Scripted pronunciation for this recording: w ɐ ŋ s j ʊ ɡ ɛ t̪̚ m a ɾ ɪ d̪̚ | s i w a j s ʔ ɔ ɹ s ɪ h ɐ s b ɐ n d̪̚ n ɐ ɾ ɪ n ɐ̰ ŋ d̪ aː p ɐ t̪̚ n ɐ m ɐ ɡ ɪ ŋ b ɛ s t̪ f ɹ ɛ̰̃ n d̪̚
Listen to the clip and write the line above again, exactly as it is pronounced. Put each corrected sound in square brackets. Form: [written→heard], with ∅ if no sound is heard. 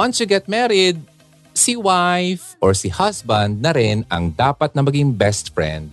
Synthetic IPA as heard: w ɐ [ŋ→n] s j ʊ ɡ ɛ t̪̚ m [a→ɛ] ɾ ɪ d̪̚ | s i w a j [s→f] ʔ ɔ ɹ s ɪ h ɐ s b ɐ n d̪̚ n ɐ ɾ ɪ n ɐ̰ ŋ d̪ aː p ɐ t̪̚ n ɐ m ɐ ɡ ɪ ŋ b ɛ s t̪ f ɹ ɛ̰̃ n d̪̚